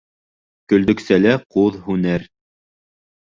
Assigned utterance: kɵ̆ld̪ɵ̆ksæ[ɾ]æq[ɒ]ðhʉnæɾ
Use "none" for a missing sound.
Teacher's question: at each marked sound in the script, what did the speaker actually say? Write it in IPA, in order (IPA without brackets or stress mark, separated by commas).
l, u